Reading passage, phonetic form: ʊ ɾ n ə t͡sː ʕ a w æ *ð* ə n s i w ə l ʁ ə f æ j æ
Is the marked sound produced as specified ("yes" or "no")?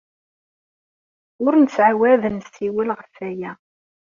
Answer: yes